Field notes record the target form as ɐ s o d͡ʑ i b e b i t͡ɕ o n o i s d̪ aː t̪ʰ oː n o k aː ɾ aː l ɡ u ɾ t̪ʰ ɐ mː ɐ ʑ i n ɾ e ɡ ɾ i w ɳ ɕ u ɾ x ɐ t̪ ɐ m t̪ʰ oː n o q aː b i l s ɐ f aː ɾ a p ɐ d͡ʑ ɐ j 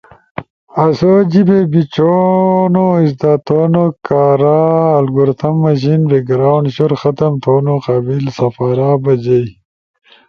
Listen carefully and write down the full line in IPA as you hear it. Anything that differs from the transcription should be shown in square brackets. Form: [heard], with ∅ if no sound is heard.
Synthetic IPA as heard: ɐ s o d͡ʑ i b e b i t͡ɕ o n o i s d̪ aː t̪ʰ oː n o k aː ɾ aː l ɡ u ɾ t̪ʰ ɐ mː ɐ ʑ i n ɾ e ɡ ɾ [a] w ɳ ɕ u ɾ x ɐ t̪ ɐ m t̪ʰ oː n o q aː b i l s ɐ f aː ɾ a [b] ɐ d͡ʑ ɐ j